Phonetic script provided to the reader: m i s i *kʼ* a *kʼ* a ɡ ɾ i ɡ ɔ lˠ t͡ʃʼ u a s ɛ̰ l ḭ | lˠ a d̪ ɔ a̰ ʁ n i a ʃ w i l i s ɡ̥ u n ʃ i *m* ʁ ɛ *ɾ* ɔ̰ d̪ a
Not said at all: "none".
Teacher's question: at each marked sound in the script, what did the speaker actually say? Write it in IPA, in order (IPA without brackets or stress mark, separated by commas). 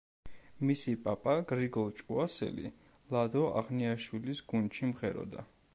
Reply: pʼ, pʼ, m, ɾ